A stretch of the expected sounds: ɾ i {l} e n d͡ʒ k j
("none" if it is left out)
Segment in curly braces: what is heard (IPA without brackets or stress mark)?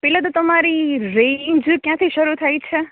ɾ